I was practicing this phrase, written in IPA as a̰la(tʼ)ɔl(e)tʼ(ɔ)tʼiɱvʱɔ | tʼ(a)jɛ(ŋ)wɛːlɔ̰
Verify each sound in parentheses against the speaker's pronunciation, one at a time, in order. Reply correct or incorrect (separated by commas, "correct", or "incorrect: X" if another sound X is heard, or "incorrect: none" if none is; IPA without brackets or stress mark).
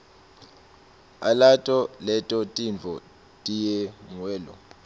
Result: correct, incorrect: ɛ, correct, incorrect: i, correct